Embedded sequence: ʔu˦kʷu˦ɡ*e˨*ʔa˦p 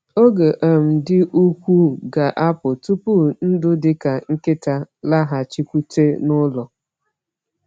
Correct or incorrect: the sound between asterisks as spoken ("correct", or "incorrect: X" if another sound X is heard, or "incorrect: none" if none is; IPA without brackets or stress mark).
incorrect: a˨